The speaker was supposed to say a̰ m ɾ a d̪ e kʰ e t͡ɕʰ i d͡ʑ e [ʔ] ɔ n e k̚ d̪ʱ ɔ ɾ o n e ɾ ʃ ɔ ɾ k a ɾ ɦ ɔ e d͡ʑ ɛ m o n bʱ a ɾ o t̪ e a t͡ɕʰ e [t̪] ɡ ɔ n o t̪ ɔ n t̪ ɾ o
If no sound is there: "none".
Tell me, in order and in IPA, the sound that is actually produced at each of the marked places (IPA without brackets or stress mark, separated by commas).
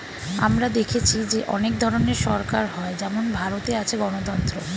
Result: ʔ, none